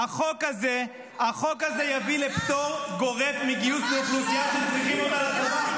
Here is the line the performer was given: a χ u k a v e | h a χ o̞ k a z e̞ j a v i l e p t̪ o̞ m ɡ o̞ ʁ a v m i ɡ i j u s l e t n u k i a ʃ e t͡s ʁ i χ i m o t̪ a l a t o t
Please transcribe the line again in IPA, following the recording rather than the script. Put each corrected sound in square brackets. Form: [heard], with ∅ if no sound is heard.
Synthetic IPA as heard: a χ [o] k a [z] e | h a χ o̞ k a z e̞ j a v i l e p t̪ o̞ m ɡ o̞ ʁ [e] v m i ɡ i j u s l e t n u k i a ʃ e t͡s ʁ i χ i m o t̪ a l a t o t